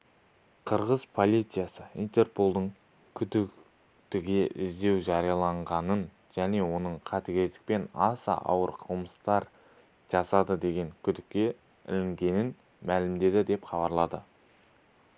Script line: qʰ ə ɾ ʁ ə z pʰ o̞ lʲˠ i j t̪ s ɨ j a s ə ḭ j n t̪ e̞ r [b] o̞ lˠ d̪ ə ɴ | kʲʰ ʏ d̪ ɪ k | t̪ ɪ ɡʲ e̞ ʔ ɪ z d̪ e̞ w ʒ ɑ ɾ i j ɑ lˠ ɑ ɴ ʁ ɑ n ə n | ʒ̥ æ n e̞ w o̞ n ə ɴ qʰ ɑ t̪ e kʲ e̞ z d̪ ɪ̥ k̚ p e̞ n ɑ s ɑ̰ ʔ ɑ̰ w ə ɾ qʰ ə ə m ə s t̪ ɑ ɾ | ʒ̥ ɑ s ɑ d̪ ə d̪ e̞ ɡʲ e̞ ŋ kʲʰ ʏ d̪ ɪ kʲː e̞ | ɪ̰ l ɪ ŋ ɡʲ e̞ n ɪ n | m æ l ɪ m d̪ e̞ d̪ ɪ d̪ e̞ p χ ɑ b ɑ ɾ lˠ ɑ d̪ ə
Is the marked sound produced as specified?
no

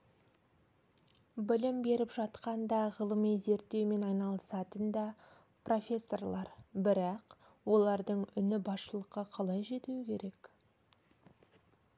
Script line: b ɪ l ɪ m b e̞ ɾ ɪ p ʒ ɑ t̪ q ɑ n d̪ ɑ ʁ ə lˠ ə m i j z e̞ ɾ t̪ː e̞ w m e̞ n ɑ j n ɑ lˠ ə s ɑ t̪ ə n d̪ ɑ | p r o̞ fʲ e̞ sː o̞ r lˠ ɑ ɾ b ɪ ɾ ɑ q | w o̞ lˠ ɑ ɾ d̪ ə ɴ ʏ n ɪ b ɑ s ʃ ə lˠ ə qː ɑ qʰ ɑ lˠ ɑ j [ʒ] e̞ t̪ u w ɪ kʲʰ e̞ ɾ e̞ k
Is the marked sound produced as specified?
yes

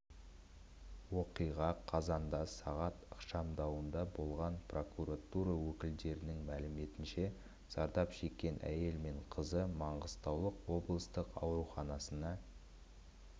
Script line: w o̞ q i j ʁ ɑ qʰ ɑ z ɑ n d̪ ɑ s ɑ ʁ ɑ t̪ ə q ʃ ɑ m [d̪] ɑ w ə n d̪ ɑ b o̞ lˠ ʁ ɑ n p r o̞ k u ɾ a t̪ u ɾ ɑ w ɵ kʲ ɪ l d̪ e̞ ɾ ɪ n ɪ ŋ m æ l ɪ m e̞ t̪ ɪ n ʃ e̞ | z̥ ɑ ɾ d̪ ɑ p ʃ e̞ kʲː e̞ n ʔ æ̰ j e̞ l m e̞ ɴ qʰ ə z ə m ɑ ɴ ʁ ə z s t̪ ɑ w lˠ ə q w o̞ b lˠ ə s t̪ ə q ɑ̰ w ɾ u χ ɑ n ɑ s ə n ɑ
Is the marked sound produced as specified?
yes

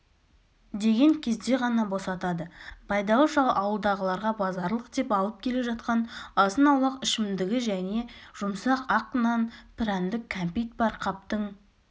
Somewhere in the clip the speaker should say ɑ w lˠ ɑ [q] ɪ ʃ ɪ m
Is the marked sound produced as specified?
yes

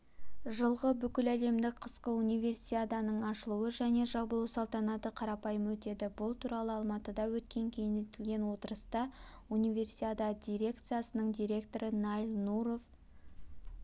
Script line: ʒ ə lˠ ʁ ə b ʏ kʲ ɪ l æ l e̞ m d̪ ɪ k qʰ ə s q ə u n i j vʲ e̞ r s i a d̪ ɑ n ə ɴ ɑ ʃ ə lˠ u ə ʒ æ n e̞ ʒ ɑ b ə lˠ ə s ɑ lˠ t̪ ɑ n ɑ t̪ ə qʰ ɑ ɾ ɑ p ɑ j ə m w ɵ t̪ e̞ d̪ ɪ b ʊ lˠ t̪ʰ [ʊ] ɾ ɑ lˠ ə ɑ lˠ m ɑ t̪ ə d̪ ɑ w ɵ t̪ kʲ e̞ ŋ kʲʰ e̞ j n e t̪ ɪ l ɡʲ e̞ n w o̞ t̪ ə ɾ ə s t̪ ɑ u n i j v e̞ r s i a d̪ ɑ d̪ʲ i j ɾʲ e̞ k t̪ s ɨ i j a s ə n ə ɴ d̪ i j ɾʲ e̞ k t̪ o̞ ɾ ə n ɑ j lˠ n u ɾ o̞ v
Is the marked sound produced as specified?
no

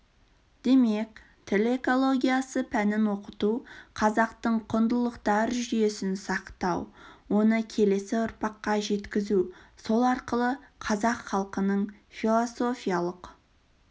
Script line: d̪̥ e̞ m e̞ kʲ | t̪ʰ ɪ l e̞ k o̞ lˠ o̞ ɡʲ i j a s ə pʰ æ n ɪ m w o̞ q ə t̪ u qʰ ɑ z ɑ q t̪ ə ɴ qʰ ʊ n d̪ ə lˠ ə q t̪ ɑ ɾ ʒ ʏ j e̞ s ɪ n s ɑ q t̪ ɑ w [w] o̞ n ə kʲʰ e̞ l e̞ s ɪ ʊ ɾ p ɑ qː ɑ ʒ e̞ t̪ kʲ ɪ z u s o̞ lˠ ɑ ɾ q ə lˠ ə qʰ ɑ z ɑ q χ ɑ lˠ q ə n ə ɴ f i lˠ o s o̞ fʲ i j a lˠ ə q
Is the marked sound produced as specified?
yes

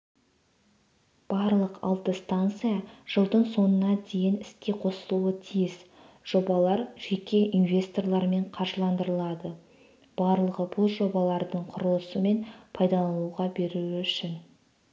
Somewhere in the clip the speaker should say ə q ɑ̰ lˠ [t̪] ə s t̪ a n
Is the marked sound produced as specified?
yes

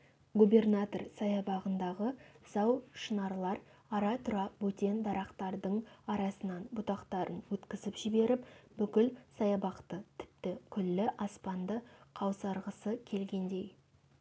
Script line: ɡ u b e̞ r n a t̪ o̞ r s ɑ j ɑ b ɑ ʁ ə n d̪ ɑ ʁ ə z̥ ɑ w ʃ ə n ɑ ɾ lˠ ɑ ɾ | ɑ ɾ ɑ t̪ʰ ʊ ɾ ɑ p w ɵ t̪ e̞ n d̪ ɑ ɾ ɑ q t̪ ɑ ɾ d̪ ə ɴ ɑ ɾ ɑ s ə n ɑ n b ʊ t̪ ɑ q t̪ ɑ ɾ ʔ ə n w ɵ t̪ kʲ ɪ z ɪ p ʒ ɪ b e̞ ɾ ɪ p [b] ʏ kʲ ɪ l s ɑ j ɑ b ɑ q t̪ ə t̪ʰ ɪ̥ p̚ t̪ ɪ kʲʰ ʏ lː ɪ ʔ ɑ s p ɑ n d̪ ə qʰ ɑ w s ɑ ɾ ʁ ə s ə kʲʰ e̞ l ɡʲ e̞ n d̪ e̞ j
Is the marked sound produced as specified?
yes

